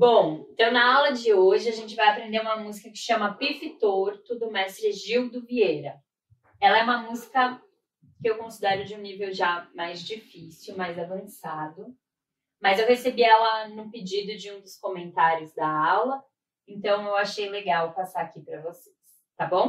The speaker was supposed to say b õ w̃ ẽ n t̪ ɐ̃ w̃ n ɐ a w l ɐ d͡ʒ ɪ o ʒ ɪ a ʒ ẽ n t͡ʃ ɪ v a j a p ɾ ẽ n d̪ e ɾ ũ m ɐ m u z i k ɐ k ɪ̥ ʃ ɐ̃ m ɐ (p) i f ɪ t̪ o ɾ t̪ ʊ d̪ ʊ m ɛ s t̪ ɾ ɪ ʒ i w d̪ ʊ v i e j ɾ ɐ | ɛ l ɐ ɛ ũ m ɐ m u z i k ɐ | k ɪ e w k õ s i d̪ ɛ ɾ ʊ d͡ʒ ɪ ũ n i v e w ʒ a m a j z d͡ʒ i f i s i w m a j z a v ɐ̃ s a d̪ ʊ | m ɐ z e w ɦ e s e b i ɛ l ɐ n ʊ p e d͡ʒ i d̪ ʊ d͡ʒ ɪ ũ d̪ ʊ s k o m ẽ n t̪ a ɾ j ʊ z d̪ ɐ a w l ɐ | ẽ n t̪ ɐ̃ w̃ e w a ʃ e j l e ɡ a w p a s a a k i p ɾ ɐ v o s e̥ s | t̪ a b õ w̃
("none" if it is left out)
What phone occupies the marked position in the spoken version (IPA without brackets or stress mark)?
p